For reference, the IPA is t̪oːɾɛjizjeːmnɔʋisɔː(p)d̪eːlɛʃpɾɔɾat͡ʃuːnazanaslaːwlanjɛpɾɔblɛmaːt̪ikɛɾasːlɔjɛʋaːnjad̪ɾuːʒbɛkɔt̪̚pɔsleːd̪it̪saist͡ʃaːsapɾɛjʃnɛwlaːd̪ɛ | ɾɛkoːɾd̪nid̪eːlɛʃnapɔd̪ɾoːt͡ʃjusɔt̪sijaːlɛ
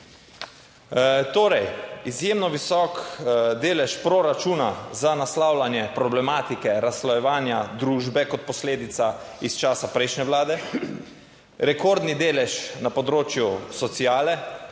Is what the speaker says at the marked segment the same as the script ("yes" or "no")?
no